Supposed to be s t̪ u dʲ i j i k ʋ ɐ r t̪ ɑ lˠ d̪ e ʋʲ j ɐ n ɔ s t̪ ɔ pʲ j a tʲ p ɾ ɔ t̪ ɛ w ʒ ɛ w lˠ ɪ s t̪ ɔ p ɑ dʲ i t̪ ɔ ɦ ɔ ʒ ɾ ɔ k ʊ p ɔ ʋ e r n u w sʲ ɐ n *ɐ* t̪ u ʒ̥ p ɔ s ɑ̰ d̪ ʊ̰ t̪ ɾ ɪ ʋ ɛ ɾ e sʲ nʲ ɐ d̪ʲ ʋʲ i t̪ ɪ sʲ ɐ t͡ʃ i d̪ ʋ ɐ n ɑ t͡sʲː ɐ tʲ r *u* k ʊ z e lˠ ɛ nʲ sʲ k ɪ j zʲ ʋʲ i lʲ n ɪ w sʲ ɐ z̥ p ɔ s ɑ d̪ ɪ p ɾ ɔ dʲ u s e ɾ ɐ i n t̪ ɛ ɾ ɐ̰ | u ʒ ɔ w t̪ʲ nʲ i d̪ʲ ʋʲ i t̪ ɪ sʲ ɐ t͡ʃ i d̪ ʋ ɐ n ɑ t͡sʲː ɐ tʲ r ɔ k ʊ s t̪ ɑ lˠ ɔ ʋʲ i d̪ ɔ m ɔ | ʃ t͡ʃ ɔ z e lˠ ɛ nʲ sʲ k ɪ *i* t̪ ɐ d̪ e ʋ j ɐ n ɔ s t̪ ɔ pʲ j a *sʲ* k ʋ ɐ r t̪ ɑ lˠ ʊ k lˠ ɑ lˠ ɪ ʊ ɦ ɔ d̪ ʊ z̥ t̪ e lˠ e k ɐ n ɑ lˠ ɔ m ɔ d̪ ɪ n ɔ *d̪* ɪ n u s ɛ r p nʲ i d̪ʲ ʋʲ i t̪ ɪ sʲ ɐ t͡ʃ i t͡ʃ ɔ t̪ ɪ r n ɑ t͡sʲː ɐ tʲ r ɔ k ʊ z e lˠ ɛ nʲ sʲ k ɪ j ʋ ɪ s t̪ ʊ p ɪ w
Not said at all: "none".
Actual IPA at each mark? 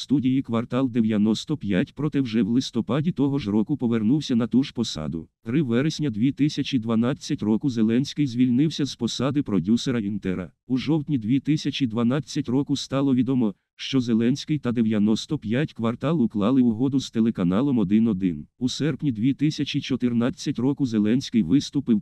ɐ, ɔ, j, tʲ, d̪

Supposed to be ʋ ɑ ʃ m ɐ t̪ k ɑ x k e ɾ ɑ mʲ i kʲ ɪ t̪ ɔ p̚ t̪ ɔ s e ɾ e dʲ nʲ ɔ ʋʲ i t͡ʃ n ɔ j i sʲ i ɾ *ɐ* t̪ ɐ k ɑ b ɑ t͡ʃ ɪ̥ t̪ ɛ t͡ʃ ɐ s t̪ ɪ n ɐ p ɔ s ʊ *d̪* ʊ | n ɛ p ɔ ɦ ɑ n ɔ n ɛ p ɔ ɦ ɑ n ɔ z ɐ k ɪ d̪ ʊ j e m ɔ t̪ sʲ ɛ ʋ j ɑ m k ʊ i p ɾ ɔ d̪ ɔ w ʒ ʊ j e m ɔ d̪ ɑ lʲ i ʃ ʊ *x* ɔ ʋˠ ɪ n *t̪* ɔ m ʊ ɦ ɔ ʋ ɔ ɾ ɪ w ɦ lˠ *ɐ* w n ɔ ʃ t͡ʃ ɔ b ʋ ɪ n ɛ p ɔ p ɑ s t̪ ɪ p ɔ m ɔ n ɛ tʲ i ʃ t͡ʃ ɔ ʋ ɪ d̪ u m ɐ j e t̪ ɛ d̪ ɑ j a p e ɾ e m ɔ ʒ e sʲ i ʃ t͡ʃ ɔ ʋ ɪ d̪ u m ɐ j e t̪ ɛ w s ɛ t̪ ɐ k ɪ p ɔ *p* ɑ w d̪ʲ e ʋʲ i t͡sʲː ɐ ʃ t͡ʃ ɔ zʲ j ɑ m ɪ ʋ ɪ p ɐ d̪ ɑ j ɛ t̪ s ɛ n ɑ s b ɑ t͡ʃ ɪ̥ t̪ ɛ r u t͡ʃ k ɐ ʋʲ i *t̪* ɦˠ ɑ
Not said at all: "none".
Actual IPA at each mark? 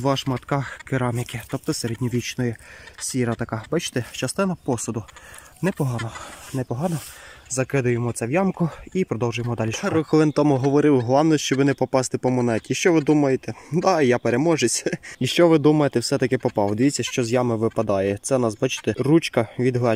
ɐ, d̪, x, t̪, ɑ, p, d̪

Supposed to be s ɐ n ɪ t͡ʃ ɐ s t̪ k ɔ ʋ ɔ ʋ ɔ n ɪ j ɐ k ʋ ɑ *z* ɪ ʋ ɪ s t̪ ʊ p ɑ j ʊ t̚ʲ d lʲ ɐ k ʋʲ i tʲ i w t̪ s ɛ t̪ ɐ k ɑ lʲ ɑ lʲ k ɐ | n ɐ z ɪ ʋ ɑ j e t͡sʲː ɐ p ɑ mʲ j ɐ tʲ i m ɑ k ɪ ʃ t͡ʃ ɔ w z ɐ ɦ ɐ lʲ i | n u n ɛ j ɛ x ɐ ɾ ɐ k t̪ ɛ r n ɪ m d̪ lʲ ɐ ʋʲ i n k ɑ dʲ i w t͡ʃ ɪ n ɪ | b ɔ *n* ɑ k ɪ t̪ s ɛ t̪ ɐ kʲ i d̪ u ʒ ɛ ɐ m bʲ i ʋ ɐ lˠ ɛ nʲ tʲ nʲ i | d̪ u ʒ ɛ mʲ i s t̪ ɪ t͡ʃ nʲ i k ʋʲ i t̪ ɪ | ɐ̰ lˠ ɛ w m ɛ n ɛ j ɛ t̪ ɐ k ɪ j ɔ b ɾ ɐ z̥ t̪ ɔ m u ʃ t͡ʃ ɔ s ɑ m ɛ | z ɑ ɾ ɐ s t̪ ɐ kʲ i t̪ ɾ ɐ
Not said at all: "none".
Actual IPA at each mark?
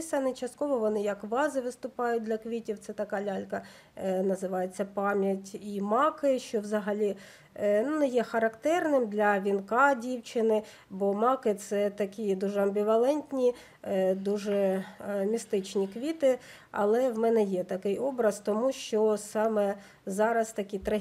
z, m

